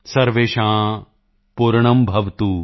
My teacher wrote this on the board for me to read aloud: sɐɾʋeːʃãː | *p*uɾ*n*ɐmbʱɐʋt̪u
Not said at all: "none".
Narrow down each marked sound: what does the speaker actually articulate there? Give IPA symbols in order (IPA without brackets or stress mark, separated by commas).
p, ɳ